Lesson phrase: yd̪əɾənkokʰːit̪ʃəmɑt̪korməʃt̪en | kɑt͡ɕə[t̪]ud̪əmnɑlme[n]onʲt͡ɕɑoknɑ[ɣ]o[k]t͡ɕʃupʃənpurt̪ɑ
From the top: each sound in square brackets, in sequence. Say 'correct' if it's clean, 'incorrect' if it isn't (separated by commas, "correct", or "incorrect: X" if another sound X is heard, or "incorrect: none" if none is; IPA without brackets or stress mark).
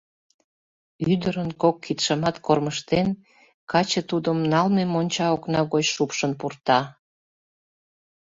correct, incorrect: m, correct, incorrect: none